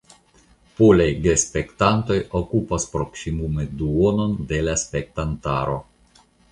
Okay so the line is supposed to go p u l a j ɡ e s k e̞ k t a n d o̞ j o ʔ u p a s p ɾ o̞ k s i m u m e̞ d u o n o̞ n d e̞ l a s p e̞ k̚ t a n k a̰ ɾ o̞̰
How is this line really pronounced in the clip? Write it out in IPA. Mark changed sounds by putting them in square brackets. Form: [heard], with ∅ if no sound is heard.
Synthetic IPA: p [o] l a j ɡ e s [p] e̞ k t a n [t] o̞ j o [k] u p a s p ɾ o̞ k s i m u m e̞ d u o n o̞ n d e̞ l a s p e̞ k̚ t a n [t] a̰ ɾ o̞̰

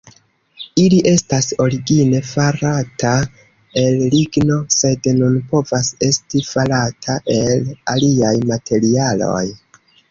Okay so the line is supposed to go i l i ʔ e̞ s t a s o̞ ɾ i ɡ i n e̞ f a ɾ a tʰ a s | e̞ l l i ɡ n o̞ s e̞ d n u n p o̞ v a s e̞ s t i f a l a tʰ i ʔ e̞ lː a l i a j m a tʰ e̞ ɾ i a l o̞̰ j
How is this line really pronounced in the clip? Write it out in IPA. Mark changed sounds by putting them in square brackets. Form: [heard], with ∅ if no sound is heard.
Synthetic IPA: i l i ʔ e̞ s t a s o̞ ɾ i ɡ i n e̞ f a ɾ a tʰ a [∅] | e̞ l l i ɡ n o̞ s e̞ d n u n p o̞ v a s e̞ s t i f a l a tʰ [a] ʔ e̞ [l] a l i a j m a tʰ e̞ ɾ i a l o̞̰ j

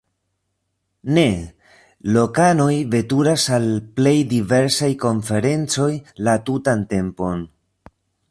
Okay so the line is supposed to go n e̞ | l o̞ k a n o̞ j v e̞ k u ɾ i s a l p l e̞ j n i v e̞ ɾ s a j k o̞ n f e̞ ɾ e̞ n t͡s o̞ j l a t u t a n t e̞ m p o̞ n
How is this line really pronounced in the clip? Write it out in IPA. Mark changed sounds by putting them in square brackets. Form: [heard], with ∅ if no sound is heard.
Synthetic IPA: n e̞ | l o̞ k a n o̞ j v e̞ [t] u ɾ [a] s a l p l e̞ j [d] i v e̞ ɾ s a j k o̞ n f e̞ ɾ e̞ n t͡s o̞ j l a t u t a n t e̞ m p o̞ n

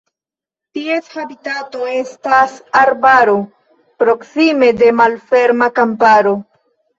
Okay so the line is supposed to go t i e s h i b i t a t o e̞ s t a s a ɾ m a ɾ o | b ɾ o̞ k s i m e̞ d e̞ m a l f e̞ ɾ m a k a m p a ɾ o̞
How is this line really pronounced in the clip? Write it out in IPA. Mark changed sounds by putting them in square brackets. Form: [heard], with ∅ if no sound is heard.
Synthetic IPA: t i e s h [a] b i t a t o e̞ s t a s a ɾ [b] a ɾ o | [p] ɾ o̞ k s i m e̞ d e̞ m a l f e̞ ɾ m a k a m p a ɾ o̞

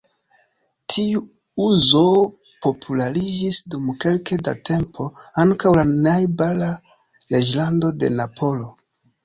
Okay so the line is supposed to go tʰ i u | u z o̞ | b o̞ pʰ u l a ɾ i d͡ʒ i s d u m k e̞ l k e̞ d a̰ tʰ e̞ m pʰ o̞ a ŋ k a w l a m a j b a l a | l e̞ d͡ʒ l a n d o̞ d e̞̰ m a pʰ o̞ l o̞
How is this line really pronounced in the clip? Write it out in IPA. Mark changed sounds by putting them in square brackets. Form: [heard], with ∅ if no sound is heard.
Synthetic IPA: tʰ i u | u z o̞ | [p] o̞ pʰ u l a ɾ i d͡ʒ i s d u m k e̞ l k e̞ d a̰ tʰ e̞ m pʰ o̞ a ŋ k a w l a [n] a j b a l a | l e̞ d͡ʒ l a n d o̞ d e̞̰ [n] a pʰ o̞ l o̞

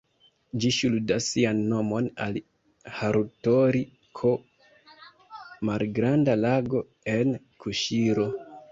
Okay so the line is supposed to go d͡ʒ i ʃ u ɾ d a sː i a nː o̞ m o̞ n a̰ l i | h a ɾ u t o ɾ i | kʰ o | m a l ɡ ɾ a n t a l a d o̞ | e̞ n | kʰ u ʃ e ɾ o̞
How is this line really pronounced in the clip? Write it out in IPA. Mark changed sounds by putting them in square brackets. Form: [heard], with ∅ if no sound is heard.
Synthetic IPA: d͡ʒ i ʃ u [l] d a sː i a nː o̞ m o̞ n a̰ l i | h a ɾ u t o ɾ i | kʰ o | m a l ɡ ɾ a n [d] a l a [ɡ] o̞ | e̞ n | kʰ u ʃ [i] ɾ o̞

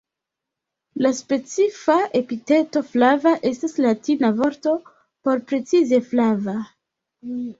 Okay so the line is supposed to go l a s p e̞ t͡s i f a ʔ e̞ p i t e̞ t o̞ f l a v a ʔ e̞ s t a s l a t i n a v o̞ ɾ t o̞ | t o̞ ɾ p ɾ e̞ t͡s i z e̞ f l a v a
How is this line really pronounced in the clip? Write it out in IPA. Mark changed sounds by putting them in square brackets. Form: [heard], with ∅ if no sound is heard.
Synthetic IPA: l a s p e̞ t͡s i f a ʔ e̞ p i t e̞ t o̞ f l a v a ʔ e̞ s t a s l a t i n a v o̞ ɾ t o̞ | [p] o̞ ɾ p ɾ e̞ t͡s i z e̞ f l a v a

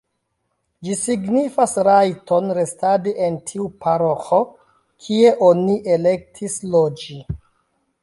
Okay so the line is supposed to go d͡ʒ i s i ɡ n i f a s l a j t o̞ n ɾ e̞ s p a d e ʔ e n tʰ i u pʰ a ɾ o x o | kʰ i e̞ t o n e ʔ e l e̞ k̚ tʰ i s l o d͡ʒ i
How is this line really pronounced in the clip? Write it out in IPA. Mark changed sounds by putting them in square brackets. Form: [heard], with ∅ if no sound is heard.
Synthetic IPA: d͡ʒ i s i ɡ n i f a s [ɾ] a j t o̞ n ɾ e̞ s [t] a d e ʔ e n tʰ i u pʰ a ɾ o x o | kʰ i e̞ [ʔ] o n [i] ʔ e l e̞ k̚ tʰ i s l o d͡ʒ i

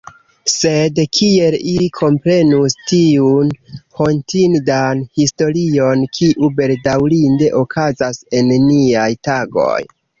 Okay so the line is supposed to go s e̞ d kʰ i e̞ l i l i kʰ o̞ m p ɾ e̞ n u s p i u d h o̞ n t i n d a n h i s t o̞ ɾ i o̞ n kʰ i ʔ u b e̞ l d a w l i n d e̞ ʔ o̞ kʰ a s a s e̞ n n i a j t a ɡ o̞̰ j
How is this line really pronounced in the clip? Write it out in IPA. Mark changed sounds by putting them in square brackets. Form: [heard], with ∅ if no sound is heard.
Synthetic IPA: s e̞ d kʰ i e̞ l i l i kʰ o̞ m p ɾ e̞ n u s [t] i u [n] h o̞ n t i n d a n h i s t o̞ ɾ i o̞ n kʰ i ʔ u b e̞ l d a w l i n d e̞ ʔ o̞ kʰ a [z] a s e̞ n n i a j t a ɡ o̞̰ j

